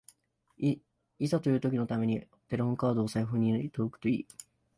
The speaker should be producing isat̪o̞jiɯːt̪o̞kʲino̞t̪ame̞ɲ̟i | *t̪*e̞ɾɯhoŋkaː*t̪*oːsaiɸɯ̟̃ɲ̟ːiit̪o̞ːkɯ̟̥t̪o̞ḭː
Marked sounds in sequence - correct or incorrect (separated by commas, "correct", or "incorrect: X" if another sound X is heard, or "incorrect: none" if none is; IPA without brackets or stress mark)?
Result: correct, incorrect: d̪